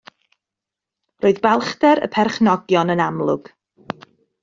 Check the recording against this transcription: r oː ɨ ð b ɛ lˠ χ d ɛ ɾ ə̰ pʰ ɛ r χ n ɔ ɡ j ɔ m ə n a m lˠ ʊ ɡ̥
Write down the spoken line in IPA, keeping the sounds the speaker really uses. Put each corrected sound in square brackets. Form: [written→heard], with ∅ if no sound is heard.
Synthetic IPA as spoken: r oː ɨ ð b ɛ lˠ χ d ɛ ɾ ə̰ pʰ ɛ r χ n ɔ ɡ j ɔ [m→n] ə n a m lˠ ʊ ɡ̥